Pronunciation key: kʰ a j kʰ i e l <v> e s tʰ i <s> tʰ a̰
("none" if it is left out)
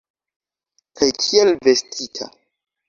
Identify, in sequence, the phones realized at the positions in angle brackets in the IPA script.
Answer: v, none

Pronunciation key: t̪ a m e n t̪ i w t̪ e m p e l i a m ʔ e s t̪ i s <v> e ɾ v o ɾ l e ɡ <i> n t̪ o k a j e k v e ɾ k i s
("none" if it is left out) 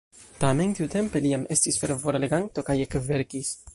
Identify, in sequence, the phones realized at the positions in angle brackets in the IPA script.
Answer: f, a

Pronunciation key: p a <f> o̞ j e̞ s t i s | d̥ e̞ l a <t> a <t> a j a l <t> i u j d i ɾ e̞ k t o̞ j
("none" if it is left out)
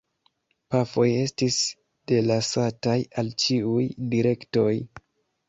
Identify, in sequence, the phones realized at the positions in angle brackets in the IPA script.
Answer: f, s, t, t͡ʃ

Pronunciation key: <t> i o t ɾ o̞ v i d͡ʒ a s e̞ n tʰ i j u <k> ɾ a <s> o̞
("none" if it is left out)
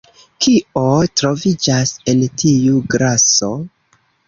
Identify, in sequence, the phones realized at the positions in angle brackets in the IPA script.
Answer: k, ɡ, s

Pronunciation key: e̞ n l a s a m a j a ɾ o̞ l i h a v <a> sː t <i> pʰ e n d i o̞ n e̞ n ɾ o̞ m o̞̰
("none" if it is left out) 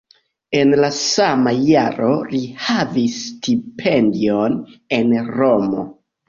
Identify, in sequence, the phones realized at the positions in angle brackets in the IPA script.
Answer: i, i

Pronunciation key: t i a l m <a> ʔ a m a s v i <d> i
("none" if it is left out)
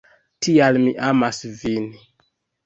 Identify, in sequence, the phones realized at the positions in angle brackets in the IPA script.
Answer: i, n

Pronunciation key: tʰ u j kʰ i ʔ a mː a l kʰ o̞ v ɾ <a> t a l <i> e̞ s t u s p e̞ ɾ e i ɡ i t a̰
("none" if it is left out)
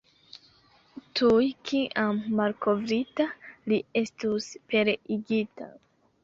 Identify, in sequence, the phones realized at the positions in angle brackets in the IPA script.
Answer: i, i

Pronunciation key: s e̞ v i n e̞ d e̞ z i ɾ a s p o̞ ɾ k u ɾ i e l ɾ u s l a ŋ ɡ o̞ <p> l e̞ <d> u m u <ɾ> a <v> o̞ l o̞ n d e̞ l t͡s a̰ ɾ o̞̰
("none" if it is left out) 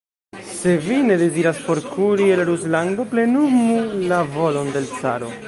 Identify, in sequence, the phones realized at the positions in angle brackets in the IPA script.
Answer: p, n, l, v

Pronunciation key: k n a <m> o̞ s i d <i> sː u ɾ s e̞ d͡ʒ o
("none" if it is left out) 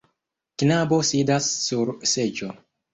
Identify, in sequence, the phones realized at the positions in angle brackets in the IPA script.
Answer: b, a

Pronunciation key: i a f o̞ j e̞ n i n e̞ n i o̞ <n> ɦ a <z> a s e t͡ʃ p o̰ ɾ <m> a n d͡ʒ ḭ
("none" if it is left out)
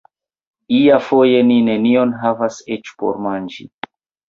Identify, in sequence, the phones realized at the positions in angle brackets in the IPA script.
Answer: n, v, m

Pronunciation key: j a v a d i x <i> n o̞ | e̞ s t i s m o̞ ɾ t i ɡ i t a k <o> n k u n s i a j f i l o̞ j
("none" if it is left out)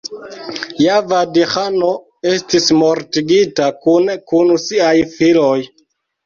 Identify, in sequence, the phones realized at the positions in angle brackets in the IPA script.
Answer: a, u

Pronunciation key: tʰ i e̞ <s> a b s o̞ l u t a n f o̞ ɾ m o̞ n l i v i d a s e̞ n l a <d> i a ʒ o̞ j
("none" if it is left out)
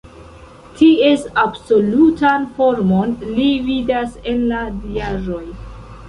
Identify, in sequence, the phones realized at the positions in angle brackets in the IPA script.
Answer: s, d

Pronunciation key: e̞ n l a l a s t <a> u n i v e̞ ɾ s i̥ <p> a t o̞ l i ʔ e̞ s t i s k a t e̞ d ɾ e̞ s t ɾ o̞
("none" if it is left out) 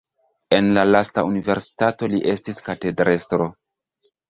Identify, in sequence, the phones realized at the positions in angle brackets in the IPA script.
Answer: a, t

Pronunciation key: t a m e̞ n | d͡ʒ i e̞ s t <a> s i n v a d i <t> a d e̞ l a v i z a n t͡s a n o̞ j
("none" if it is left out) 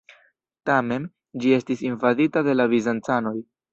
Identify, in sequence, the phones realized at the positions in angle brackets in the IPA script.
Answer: i, t

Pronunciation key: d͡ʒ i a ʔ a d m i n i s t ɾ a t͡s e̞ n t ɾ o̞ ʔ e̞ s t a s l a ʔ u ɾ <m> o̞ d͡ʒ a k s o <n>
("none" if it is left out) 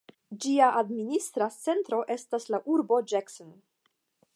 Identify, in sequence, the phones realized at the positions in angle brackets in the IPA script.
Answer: b, n

